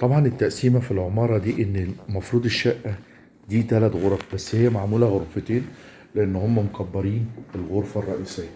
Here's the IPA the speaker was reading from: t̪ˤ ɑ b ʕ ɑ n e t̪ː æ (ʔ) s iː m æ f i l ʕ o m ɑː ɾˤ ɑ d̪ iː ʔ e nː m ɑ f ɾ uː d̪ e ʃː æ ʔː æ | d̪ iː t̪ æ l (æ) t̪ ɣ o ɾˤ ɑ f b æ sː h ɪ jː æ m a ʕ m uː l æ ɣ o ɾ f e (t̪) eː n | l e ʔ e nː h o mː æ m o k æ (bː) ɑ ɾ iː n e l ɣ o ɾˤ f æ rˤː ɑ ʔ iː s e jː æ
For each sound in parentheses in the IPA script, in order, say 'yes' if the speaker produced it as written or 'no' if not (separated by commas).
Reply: yes, yes, yes, yes